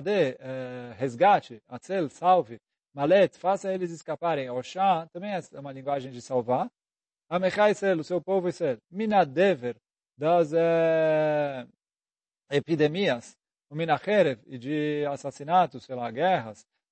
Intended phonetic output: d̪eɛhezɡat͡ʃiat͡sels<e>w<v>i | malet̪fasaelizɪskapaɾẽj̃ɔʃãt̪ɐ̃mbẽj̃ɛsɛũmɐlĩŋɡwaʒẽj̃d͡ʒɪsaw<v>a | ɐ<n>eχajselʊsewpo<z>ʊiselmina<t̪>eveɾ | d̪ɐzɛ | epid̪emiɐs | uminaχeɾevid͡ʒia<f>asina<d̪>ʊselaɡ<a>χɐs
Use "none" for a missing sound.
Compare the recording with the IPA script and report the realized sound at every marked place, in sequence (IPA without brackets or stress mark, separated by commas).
a, v, v, m, v, d̪, s, t̪, ɛ